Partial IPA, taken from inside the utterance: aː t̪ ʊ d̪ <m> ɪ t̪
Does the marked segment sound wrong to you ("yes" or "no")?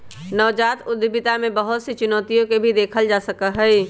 yes